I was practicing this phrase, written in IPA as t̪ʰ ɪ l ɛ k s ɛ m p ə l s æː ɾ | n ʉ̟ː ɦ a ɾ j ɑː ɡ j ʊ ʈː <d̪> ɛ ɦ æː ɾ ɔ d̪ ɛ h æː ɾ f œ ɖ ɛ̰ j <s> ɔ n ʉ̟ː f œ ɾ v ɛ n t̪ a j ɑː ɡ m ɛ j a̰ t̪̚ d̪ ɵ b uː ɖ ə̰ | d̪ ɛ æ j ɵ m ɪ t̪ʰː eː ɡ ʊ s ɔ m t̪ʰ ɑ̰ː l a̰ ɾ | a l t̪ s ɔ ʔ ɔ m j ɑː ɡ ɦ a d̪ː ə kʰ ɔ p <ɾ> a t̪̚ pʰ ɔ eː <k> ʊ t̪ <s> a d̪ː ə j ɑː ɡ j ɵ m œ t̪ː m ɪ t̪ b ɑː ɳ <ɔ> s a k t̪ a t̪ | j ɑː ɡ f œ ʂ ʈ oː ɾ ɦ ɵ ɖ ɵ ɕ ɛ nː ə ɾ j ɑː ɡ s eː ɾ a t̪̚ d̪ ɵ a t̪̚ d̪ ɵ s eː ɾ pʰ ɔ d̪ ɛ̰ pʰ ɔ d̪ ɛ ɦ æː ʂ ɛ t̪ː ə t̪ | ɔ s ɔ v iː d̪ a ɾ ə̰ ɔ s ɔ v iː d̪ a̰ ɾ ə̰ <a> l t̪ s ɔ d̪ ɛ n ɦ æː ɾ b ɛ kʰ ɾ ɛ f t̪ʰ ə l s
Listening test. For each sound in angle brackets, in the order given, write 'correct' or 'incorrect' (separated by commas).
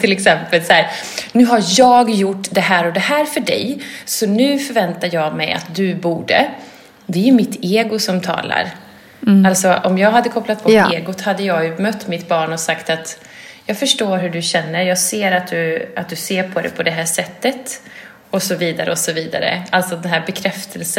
correct, correct, incorrect, incorrect, incorrect, correct, correct